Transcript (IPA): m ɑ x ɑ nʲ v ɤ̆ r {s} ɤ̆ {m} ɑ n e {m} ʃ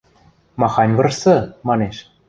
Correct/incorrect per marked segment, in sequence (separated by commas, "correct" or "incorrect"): correct, correct, incorrect